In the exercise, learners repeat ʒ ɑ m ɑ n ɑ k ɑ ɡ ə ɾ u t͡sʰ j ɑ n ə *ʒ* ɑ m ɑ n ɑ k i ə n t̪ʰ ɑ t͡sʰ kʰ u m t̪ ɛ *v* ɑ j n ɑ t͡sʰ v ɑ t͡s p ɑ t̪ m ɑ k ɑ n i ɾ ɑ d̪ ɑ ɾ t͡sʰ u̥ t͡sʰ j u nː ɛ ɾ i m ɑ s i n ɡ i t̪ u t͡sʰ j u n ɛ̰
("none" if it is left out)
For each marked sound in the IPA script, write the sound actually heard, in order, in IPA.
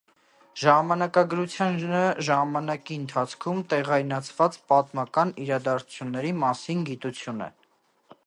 ʒ, ʁ

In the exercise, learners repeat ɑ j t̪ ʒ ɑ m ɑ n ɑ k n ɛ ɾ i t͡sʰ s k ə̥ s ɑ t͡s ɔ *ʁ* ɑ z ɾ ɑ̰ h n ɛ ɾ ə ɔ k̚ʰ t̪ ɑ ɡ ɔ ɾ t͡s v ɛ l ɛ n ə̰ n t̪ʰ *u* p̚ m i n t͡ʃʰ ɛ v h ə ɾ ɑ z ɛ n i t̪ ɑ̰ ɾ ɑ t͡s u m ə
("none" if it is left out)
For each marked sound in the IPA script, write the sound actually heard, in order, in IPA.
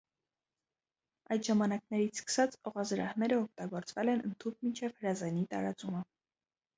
ʁ, u

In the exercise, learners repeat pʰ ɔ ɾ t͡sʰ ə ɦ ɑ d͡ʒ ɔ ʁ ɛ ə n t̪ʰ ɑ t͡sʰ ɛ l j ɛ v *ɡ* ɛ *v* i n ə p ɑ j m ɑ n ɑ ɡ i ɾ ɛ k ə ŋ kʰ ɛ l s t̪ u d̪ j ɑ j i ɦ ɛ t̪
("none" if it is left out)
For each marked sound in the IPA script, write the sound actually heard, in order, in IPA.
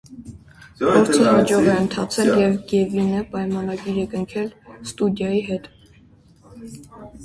ɡ, v

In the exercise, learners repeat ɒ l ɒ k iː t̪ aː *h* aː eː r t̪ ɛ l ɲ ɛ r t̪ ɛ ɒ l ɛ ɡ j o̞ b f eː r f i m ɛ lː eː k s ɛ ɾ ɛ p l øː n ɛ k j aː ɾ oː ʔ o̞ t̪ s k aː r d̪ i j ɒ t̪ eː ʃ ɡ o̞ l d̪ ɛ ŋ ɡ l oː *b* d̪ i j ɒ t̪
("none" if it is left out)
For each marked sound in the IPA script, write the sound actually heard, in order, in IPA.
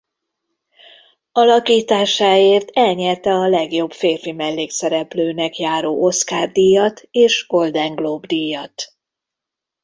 ʃ, b

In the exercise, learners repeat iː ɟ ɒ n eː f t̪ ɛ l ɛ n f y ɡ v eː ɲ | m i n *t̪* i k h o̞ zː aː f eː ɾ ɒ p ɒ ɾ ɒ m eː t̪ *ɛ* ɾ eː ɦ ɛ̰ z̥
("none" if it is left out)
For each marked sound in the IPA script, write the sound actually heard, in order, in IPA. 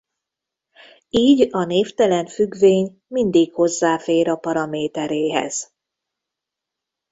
d̪, ɛ

